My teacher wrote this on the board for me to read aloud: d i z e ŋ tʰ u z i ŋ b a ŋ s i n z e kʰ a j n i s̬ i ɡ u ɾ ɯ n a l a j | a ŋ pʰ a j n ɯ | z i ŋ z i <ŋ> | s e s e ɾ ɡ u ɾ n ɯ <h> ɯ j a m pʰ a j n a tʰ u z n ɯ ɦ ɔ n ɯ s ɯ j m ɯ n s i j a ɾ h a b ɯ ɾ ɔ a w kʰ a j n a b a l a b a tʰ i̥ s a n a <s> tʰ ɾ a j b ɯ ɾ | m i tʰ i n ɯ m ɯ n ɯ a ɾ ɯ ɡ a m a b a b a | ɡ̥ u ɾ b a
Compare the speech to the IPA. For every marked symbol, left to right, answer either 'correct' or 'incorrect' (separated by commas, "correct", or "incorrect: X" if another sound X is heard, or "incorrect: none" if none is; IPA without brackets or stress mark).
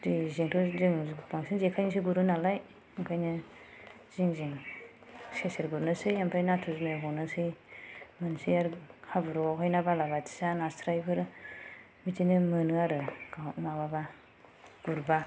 correct, incorrect: s, correct